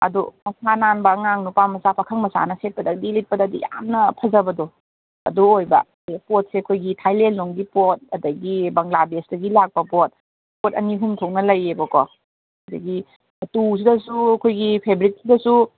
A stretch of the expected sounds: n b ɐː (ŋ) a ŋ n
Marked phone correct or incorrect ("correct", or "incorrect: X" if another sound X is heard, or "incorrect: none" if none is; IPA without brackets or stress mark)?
correct